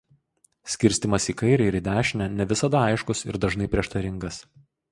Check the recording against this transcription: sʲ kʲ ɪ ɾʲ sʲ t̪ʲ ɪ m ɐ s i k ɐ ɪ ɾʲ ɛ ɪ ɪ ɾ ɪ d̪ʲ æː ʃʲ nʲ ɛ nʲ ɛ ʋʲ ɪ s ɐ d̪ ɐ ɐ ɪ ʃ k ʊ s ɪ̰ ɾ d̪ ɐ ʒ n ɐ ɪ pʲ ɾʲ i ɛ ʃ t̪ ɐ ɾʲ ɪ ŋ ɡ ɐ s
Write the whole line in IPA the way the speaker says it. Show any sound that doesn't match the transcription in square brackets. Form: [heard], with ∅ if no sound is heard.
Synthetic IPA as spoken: sʲ kʲ ɪ ɾʲ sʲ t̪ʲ ɪ m ɐ s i k ɐ ɪ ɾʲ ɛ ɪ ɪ ɾ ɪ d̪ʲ æː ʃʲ nʲ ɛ nʲ ɛ ʋʲ ɪ s ɐ d̪ ɐ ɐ ɪ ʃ k ʊ s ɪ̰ ɾ d̪ ɐ ʒ n ɐ ɪ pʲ ɾʲ i ɛ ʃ t̪ ɐ ɾʲ ɪ ŋ ɡ ɐ s